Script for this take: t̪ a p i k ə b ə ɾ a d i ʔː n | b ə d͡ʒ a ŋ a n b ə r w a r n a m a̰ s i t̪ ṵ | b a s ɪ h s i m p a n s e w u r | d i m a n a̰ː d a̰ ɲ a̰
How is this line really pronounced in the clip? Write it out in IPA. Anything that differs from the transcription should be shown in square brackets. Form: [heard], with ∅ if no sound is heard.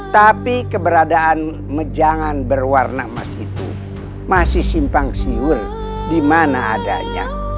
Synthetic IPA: t̪ a p i k ə b ə ɾ a d [a] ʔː n | [m] ə d͡ʒ a ŋ a n b ə r w a r n a m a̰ s i t̪ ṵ | [m] a s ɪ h s i m p a [ŋ] s [i] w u r | d i m a n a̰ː d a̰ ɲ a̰